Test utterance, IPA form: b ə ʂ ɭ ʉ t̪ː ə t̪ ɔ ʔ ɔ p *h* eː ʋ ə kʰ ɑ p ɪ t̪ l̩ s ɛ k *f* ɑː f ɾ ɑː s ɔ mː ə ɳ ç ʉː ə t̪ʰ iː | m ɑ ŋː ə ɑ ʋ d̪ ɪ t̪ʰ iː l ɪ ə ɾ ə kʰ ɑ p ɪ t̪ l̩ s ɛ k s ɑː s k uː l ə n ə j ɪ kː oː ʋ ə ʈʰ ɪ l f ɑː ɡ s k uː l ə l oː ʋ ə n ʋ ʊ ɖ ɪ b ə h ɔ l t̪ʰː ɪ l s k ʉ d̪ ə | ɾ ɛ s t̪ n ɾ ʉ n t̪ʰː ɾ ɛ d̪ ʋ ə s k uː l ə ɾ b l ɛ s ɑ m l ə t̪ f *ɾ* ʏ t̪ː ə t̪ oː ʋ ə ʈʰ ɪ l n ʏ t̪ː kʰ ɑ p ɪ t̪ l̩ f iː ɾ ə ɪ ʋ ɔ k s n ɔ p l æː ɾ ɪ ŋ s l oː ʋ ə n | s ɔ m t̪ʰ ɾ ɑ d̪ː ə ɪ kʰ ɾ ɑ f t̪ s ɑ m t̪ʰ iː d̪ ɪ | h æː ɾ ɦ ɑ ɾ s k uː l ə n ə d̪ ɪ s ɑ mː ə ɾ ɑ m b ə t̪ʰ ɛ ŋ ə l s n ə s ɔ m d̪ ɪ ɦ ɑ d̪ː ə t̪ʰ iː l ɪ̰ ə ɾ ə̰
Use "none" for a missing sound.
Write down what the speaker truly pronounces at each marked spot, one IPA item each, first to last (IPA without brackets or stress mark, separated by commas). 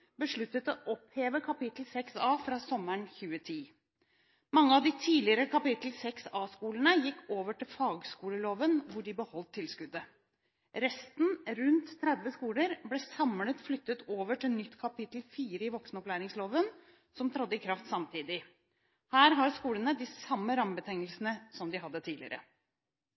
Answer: h, s, l